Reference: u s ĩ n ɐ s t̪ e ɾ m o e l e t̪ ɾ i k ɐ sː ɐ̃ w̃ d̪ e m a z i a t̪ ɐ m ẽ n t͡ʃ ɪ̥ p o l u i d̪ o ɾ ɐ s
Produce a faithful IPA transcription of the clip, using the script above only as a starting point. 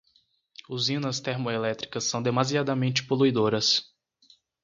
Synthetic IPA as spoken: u z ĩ n ɐ s t̪ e ɾ m o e l ɛ t̪ ɾ i k ɐ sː ɐ̃ w̃ d̪ e m a z i a d̪ ɐ m ẽ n t͡ʃ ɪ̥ p o l u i d̪ o ɾ ɐ s